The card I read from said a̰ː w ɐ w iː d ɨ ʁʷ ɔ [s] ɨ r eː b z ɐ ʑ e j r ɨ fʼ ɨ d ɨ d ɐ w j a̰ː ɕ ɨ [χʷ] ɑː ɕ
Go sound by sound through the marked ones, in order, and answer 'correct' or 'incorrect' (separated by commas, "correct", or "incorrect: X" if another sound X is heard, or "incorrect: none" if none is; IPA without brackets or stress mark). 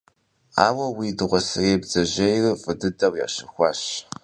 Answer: correct, incorrect: xʷ